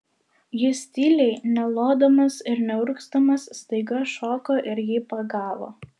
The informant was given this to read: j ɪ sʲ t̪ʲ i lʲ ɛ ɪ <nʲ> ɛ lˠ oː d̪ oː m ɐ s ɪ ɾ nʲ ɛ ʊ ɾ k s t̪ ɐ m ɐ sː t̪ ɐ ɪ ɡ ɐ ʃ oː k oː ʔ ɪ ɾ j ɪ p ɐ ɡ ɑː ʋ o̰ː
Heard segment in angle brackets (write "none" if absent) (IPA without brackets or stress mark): nʲ